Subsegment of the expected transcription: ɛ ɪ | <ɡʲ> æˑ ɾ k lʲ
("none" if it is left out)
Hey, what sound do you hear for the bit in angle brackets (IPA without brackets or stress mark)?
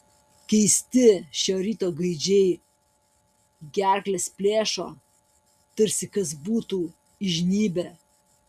ɡʲ